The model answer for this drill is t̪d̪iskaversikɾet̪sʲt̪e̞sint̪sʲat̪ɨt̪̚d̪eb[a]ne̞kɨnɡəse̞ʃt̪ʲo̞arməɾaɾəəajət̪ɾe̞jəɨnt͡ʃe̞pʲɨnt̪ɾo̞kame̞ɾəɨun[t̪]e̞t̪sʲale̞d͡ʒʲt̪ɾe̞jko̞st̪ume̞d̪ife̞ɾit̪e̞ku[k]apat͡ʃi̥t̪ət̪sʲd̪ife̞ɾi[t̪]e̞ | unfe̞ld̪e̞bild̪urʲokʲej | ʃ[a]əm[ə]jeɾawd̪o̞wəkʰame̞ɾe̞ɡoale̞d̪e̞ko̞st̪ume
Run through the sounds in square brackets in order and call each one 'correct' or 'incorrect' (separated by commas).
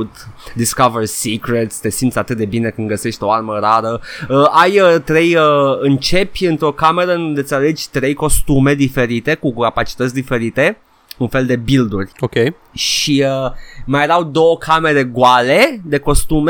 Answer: incorrect, incorrect, correct, correct, incorrect, incorrect